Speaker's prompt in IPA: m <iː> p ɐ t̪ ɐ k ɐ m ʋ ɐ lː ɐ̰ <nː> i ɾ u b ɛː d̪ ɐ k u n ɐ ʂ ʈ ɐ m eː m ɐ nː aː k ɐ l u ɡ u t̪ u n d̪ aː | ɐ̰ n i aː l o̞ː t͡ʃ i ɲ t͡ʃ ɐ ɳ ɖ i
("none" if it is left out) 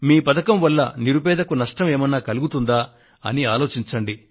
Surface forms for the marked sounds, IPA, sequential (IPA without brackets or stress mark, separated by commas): iː, n